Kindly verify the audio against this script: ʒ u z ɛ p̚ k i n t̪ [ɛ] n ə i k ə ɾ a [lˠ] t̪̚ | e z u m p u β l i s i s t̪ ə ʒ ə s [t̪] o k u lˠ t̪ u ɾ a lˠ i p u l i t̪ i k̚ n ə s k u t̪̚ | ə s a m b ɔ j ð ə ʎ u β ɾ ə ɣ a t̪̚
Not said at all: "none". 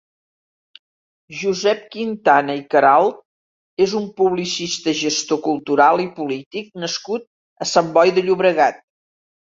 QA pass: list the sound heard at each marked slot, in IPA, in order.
a, lˠ, t̪

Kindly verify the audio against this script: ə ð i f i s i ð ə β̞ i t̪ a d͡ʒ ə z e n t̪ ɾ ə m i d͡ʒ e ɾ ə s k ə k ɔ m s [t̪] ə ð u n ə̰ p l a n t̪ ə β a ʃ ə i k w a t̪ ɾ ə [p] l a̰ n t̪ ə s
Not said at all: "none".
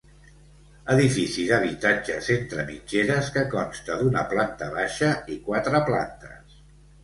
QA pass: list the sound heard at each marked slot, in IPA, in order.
t̪, p

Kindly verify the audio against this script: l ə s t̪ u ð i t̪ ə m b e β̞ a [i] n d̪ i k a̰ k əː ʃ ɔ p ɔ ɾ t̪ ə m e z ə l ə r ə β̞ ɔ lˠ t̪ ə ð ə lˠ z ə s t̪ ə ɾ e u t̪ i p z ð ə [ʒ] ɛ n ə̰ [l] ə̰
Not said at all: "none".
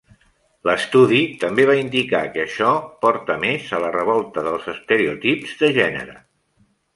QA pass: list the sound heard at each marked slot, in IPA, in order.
i, ʒ, ɾ

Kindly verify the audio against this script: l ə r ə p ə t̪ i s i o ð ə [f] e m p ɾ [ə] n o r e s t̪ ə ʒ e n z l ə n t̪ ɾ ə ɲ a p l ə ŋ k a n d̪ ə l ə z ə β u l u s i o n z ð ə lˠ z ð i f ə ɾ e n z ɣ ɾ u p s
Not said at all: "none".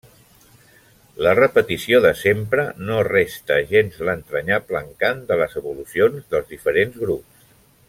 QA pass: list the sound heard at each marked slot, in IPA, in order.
s, ə

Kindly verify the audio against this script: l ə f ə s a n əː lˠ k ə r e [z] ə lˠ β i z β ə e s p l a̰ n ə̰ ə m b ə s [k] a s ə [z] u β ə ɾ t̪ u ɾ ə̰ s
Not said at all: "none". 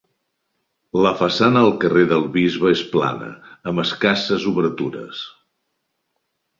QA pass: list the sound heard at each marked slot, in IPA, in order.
ð, k, z

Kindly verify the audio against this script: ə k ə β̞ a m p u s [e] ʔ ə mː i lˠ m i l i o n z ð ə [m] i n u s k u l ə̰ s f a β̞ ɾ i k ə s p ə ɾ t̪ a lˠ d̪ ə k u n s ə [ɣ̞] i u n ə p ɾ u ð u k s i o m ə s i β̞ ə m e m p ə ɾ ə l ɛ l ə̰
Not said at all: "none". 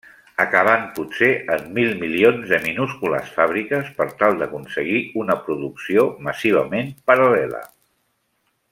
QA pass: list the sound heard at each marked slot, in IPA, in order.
e, m, ɣ̞

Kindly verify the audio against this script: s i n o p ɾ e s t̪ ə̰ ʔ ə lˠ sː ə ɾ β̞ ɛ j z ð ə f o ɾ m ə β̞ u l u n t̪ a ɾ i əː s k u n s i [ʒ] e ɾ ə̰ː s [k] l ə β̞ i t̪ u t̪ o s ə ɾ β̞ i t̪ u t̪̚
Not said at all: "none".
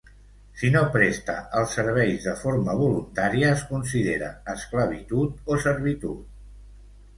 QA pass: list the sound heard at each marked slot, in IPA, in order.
ð, k

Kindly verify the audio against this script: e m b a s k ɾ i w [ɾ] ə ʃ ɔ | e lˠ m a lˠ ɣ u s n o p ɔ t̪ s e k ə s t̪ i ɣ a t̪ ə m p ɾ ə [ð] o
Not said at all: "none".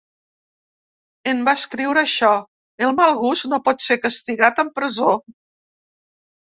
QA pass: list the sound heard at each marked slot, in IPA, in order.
ɾ, z

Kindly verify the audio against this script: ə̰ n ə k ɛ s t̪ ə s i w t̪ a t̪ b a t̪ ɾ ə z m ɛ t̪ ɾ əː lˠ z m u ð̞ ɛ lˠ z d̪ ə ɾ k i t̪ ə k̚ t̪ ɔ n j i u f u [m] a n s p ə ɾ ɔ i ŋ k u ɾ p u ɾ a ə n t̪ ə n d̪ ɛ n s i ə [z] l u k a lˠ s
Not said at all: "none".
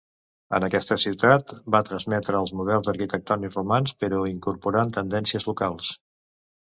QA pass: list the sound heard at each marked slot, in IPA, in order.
m, z

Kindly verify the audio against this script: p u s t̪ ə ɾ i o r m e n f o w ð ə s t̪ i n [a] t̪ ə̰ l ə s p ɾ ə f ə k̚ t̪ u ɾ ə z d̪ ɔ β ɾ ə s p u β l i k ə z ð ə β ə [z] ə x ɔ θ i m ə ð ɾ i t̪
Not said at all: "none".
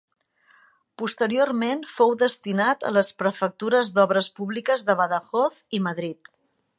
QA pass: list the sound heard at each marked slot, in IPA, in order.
a, ð

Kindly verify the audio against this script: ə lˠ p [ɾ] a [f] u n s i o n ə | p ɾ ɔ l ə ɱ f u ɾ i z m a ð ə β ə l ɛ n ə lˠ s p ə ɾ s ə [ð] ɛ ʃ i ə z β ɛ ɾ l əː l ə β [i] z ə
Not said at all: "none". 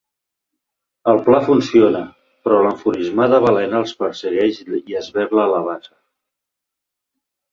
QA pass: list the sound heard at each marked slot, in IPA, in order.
l, f, ɣ, a

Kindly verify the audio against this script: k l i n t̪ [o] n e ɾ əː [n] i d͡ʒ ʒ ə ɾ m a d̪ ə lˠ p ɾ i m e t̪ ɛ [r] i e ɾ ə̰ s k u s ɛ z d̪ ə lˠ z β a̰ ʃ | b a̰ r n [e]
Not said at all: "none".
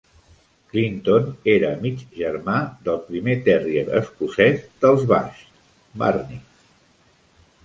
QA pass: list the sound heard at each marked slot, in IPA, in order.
o, m, r, i

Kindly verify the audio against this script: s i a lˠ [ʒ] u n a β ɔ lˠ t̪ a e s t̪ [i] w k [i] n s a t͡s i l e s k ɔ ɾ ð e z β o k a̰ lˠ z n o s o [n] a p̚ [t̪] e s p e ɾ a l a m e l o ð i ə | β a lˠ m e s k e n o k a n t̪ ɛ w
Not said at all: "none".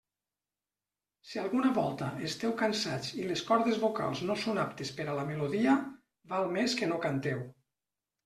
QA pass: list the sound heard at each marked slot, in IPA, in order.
ɣ, ɛ, a, n, t̪

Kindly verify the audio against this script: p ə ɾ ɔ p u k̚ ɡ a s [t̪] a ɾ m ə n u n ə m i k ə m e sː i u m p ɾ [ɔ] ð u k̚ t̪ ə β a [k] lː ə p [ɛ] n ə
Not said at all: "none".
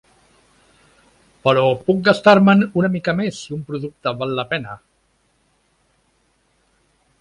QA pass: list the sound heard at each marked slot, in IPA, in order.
t̪, u, none, ɛ

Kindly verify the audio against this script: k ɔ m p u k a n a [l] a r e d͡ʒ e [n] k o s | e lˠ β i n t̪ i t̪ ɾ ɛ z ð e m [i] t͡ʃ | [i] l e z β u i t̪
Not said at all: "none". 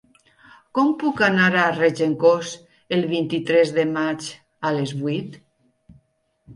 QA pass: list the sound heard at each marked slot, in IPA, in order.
ɾ, ŋ, a, a

